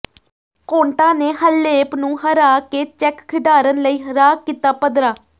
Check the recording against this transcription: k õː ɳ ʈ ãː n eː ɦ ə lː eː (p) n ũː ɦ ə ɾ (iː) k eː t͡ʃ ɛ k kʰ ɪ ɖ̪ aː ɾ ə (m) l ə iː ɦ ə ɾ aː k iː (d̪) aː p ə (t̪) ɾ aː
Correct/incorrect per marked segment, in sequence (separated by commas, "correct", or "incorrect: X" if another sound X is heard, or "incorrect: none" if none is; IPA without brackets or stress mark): correct, incorrect: aː, incorrect: n, incorrect: t̪, incorrect: d̪